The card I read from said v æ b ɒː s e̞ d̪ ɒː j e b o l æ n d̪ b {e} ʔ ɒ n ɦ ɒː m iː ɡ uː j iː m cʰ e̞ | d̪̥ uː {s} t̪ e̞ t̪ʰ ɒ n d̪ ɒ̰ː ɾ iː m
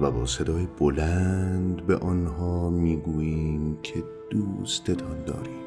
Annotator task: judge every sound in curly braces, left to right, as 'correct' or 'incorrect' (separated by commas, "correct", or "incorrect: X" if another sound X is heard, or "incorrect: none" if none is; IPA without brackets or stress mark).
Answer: correct, correct